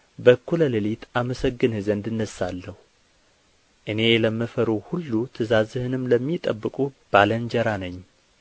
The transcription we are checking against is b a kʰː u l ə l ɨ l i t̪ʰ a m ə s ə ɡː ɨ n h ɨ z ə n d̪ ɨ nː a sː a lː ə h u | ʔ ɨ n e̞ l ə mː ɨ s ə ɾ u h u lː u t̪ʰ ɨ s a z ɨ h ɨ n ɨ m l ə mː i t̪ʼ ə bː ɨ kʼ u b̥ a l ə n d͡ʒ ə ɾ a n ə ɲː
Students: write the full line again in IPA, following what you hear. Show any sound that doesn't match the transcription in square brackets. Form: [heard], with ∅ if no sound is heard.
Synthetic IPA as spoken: b [ə] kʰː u l ə l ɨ l i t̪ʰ a m ə s ə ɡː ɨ n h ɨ z ə n d̪ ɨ nː [ə] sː a lː ə h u | ʔ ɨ n e̞ l ə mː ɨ [f] ə ɾ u h u lː u t̪ʰ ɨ [z] a z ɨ h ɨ n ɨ m l ə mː i t̪ʼ ə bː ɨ kʼ u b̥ a l ə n d͡ʒ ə ɾ a n ə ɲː